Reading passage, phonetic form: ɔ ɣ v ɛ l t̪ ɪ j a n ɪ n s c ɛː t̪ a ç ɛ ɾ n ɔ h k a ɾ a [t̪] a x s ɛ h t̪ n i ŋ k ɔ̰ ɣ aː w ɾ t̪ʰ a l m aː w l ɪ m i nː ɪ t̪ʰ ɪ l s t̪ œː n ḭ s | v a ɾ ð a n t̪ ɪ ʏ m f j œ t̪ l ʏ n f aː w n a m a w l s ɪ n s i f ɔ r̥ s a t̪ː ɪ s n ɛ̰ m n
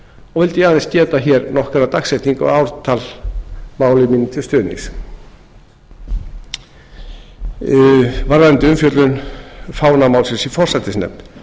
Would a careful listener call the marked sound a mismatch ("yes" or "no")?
no